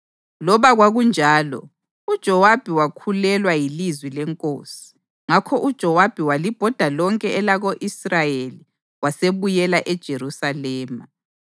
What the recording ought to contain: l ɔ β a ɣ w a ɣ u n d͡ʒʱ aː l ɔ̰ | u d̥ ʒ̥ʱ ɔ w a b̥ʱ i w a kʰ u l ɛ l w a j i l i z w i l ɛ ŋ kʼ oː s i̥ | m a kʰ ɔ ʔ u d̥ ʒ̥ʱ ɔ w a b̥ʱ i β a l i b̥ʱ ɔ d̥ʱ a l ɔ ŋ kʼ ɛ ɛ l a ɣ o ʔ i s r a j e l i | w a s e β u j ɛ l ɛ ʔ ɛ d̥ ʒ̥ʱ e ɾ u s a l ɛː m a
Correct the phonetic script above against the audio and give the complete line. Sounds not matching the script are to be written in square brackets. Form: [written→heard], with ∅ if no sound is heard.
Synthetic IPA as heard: l ɔ β a ɣ w a ɣ u n d͡ʒʱ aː l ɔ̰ | u d̥ ʒ̥ʱ ɔ w a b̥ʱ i w a kʰ u l ɛ l w a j i l i z w i l ɛ ŋ kʼ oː s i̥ | [m→ŋ] a kʰ ɔ ʔ u d̥ ʒ̥ʱ ɔ w a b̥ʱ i [β→w] a l i b̥ʱ ɔ d̥ʱ a l ɔ ŋ kʼ ɛ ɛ l a ɣ o ʔ i s r a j e l i | w a s e β u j ɛ l [ɛ→a] ʔ ɛ d̥ ʒ̥ʱ e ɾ u s a l ɛː m a